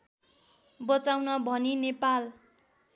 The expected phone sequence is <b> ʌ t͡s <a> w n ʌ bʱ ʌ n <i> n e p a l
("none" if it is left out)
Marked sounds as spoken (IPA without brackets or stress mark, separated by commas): b, a, i